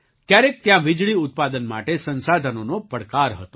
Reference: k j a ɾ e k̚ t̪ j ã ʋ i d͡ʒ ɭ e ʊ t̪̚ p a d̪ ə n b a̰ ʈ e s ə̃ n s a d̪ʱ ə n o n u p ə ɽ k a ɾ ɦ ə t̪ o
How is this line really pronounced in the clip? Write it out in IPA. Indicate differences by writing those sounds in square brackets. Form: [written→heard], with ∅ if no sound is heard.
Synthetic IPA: k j a ɾ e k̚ t̪ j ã ʋ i d͡ʒ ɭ [e→i] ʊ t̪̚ p a d̪ ə n [b→m] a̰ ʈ e s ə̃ n s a d̪ʱ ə n o n [u→o] p ə ɽ k a ɾ ɦ ə t̪ o

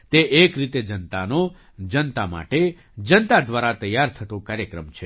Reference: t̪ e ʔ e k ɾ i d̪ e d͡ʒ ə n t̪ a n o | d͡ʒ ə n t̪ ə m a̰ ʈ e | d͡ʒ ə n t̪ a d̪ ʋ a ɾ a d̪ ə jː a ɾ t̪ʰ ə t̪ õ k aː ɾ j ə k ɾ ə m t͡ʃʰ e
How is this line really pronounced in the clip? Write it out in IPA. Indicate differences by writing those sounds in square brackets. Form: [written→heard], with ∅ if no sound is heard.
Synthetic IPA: t̪ e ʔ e k ɾ i [d̪→t̪] e d͡ʒ ə n t̪ a n o | d͡ʒ ə n t̪ [ə→a] m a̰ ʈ e | d͡ʒ ə n t̪ a d̪ ʋ a ɾ a [d̪→t̪] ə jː a ɾ t̪ʰ ə t̪ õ k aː ɾ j ə k ɾ ə m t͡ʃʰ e

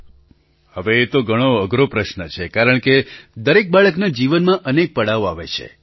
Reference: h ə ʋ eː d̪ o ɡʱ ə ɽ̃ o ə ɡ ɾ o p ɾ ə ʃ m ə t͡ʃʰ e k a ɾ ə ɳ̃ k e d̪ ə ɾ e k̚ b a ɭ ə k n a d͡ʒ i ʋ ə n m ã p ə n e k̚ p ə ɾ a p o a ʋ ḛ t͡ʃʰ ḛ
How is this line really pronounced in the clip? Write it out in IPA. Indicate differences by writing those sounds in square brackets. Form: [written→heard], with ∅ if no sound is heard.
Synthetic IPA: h ə ʋ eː [d̪→t̪] o ɡʱ ə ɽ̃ o ə ɡ ɾ o p ɾ ə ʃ [m→n] ə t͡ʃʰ e k a ɾ ə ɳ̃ k e d̪ ə ɾ e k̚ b a ɭ ə k n a d͡ʒ i ʋ ə n m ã [p→ʔ] ə n e k̚ p ə [ɾ→ɽ] a [p→∅] o a ʋ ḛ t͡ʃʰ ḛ

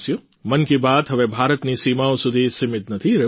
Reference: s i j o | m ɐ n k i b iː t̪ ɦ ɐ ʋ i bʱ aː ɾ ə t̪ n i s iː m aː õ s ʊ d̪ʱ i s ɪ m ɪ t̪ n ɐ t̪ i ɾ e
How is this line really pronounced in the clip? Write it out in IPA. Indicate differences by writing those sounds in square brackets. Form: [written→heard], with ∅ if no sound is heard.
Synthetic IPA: s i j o | m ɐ n k i b [iː→aː] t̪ ɦ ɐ ʋ [i→e] bʱ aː ɾ ə t̪ n i s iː m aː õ s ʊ d̪ʱ i s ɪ m ɪ t̪ n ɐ [t̪→t̪ʰ] i ɾ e

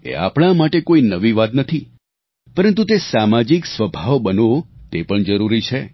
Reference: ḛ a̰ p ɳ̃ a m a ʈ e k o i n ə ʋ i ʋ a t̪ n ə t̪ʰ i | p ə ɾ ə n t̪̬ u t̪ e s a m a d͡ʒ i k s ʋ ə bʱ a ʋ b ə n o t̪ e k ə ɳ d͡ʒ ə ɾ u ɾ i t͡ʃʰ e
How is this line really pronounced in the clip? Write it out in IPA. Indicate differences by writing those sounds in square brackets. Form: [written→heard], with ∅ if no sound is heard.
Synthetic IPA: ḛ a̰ p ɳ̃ a m a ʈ e k o i n ə ʋ i ʋ a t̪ n ə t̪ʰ i | p ə ɾ ə n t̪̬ u t̪ e s a m a d͡ʒ i k s ʋ ə bʱ a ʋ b ə n o t̪ e [k→p] ə ɳ d͡ʒ ə ɾ u ɾ i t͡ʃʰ e

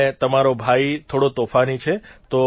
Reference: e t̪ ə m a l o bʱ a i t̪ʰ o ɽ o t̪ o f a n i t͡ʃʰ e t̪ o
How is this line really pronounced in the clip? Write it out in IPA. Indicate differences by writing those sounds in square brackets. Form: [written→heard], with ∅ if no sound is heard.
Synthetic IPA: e t̪ ə m a [l→ɾ] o bʱ a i t̪ʰ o ɽ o t̪ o f a n i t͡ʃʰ e t̪ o

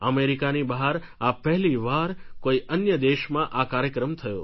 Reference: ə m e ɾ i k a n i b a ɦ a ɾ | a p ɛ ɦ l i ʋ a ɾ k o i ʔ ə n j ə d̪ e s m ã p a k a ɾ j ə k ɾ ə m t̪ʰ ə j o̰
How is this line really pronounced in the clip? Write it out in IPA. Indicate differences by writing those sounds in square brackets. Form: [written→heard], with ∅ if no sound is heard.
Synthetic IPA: ə m e ɾ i k a n i b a ɦ a ɾ | a p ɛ ɦ l i ʋ a ɾ k o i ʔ ə n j ə d̪ e [s→ʃ] m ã [p→ʔ] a k a ɾ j ə k ɾ ə m t̪ʰ ə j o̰

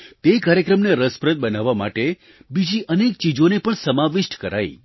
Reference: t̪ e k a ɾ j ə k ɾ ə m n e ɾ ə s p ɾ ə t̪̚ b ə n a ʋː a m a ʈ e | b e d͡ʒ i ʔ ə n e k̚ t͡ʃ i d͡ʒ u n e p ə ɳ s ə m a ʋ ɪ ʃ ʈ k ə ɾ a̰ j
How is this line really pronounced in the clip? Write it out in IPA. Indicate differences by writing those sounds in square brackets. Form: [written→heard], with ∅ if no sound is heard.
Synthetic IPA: t̪ e k a ɾ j ə k ɾ ə m n e ɾ ə s p ɾ ə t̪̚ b ə n a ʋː a m a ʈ e | b [e→i] d͡ʒ i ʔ ə n e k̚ t͡ʃ i d͡ʒ [u→o] n e p ə ɳ s ə m a ʋ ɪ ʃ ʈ k ə ɾ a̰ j

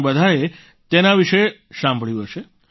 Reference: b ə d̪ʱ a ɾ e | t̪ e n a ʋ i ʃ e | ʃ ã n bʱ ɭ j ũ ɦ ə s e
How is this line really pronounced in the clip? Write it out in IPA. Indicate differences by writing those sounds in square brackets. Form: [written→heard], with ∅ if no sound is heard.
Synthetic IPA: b ə d̪ʱ a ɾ e | t̪ e n a ʋ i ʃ e | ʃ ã [n→m] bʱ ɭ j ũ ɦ ə [s→ʃ] e

